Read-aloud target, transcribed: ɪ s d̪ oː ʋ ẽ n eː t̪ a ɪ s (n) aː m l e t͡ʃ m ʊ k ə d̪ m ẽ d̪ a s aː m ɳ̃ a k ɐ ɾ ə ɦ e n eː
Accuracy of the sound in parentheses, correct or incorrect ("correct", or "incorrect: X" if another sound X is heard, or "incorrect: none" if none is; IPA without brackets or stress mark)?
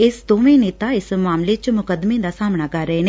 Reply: incorrect: m